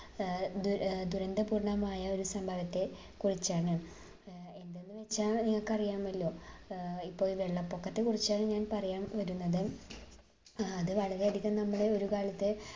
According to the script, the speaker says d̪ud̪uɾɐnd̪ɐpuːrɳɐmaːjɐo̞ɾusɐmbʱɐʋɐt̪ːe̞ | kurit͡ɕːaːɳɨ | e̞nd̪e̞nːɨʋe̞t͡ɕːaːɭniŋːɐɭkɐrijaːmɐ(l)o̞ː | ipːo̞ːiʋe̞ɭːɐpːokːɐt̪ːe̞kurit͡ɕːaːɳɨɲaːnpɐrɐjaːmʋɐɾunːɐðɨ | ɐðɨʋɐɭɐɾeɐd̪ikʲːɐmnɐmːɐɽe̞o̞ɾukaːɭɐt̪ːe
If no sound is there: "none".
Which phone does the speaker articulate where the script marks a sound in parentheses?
lː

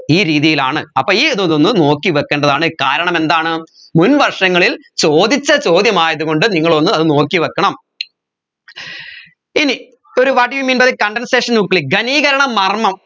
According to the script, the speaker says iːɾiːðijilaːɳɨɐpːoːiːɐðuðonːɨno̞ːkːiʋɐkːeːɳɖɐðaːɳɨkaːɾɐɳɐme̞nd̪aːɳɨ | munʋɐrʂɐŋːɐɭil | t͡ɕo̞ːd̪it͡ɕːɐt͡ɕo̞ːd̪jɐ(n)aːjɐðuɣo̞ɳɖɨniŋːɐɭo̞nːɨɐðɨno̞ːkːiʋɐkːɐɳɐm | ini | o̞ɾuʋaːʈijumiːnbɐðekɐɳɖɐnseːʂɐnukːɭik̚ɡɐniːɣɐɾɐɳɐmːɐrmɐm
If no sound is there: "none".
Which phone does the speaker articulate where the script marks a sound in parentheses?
m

